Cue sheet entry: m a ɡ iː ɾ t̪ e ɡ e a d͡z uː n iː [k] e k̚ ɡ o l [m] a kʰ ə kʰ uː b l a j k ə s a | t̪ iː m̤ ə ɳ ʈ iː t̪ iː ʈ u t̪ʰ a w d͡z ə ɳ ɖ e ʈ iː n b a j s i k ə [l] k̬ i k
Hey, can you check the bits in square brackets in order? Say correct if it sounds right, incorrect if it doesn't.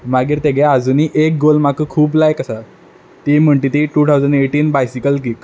incorrect: ʔ, correct, correct

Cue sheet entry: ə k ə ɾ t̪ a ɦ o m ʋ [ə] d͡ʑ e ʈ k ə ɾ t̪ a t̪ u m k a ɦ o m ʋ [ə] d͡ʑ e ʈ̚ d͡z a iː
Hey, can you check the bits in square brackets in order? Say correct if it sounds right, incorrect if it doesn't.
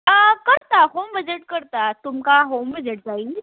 correct, correct

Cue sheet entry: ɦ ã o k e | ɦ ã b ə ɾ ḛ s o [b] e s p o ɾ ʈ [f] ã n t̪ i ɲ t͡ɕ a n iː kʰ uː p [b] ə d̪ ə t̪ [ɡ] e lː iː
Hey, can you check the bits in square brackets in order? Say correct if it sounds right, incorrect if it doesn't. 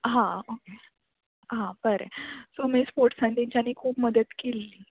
incorrect: m, incorrect: s, incorrect: m, incorrect: k

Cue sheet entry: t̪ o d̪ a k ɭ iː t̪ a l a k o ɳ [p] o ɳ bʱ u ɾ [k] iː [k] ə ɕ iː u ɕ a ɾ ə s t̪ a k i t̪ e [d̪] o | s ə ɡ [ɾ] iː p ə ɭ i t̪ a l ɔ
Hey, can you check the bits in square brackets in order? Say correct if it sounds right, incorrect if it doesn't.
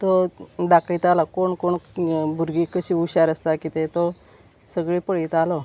incorrect: k, incorrect: ɡ, correct, incorrect: t̪, incorrect: ɭ

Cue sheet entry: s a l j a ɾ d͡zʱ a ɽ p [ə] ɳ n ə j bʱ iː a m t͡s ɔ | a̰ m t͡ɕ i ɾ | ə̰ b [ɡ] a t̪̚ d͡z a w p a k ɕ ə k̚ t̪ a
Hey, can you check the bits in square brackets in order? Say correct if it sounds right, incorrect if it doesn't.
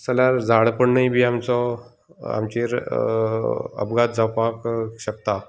correct, correct

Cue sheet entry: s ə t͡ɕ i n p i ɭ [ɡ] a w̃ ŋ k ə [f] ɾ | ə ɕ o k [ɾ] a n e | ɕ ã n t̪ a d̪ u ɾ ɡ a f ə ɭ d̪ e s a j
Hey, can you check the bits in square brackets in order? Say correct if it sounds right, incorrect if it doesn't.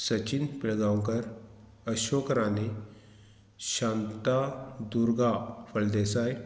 correct, incorrect: none, correct

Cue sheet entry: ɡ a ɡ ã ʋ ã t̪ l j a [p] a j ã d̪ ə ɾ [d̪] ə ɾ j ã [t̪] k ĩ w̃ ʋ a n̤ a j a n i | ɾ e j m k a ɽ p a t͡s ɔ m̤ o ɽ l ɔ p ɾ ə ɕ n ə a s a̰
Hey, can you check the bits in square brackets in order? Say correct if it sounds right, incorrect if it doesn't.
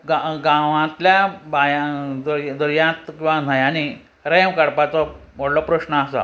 incorrect: b, correct, correct

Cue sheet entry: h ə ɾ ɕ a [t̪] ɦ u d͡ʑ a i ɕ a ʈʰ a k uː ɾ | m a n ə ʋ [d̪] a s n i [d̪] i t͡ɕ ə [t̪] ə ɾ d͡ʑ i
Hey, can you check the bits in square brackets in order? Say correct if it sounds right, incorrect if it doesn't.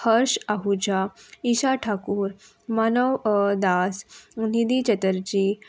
incorrect: none, correct, correct, correct

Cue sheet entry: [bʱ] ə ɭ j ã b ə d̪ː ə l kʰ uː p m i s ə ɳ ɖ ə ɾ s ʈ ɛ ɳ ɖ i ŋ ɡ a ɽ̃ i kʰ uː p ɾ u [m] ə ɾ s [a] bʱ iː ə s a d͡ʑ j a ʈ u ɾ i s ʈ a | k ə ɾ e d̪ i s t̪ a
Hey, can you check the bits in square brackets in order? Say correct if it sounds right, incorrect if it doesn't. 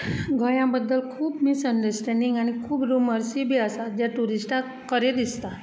incorrect: ɡʱ, correct, incorrect: i

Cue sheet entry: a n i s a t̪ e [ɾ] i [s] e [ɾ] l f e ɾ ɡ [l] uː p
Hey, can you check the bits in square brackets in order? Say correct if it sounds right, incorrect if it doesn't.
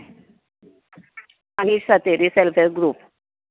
correct, correct, incorrect: none, incorrect: ɾ

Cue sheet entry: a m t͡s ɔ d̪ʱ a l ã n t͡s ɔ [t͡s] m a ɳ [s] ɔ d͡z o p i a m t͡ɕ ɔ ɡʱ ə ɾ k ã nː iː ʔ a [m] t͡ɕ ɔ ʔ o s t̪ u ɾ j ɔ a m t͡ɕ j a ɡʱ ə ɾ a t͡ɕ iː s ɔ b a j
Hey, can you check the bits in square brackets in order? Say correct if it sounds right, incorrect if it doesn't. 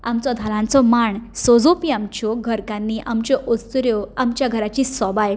incorrect: none, correct, correct

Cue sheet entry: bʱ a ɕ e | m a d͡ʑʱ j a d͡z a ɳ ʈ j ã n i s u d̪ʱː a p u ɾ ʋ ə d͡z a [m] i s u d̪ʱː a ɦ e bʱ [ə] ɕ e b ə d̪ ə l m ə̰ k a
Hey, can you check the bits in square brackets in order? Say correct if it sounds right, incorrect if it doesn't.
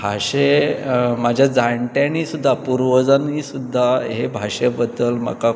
incorrect: n, incorrect: a

